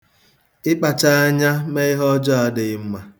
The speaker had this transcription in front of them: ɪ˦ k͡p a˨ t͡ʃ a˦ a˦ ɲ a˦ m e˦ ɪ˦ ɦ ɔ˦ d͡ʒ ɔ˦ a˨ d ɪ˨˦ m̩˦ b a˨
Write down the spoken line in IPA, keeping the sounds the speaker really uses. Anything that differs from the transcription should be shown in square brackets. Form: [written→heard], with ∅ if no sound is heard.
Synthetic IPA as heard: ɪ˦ k͡p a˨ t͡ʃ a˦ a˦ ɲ a˦ m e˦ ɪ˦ ɦ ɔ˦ d͡ʒ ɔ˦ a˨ d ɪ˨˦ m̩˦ [b→m] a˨